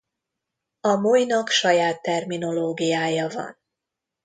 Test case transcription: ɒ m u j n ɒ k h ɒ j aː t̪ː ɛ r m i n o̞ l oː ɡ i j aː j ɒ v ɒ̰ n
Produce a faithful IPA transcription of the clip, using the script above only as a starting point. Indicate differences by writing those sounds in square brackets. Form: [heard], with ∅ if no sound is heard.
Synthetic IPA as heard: ɒ m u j n ɒ k [ʃ] ɒ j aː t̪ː ɛ r m i n o̞ l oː ɡ i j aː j ɒ v ɒ̰ n